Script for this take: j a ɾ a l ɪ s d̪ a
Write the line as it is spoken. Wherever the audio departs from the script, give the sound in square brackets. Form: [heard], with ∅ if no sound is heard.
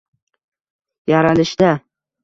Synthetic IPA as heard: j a ɾ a l ɪ [ʃ] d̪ a